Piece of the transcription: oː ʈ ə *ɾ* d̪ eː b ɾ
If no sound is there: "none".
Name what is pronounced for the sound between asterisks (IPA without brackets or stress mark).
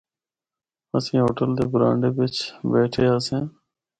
l